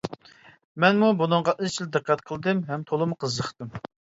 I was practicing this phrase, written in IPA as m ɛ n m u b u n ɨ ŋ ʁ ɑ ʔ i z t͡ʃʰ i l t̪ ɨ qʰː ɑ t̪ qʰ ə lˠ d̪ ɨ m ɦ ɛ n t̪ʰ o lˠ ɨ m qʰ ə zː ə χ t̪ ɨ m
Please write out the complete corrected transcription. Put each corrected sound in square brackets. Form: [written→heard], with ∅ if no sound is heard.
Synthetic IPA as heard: m ɛ n m u b u n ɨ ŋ ʁ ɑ ʔ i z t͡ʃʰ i l [t̪→d̪] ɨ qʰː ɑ t̪ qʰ ə lˠ d̪ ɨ m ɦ ɛ [n→m] t̪ʰ o lˠ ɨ m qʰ ə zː ə χ t̪ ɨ m